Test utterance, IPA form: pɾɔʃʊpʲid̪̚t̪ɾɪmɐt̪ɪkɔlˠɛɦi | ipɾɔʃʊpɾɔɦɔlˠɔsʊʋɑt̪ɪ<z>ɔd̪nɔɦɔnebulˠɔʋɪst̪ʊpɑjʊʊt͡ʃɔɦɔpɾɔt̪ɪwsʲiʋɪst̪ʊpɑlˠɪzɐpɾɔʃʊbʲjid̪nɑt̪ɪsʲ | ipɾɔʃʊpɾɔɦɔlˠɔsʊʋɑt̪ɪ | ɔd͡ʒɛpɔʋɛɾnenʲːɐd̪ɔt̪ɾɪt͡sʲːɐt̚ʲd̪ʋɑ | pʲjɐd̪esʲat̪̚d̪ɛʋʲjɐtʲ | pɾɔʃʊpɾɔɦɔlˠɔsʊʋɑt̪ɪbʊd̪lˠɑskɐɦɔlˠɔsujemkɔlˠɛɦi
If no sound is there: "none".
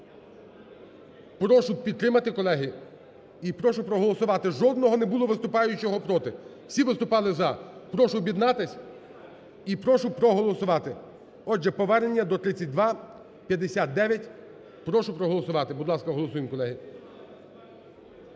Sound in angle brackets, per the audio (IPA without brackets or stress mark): ʒ